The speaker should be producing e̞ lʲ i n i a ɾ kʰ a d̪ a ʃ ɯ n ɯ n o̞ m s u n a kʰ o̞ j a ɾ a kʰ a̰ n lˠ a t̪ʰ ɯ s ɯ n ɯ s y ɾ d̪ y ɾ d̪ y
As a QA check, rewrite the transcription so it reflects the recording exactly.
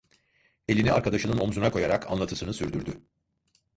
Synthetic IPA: e̞ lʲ i n i a ɾ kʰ a d̪ a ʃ ɯ n ɯ n o̞ m z u n a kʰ o̞ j a ɾ a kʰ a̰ n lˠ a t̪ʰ ɯ s ɯ n ɯ s y ɾ d̪ y ɾ d̪ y